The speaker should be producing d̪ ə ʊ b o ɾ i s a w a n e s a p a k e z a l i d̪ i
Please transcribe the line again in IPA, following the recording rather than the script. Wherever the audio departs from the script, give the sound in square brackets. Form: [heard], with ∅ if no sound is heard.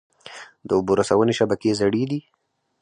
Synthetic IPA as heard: d̪ ə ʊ b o ɾ [a] s a w [ə] n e [ʃ] a [b] a k e z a [ɽ] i d̪ i